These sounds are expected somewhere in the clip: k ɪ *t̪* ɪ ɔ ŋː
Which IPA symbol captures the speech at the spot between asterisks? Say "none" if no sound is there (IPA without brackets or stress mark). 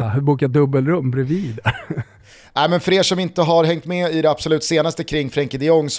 d̪